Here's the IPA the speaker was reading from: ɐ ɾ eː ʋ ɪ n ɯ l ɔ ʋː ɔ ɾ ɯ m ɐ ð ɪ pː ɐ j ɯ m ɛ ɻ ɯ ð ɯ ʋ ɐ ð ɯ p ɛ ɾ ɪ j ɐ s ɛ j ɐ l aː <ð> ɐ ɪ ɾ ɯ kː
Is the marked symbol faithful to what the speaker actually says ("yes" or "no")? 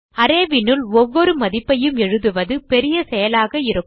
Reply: no